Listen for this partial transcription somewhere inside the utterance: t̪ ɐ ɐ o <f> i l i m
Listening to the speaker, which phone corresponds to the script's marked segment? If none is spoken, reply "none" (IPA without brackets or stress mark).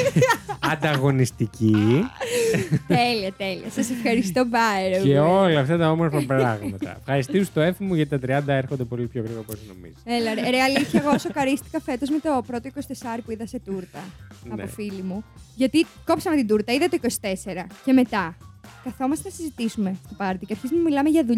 f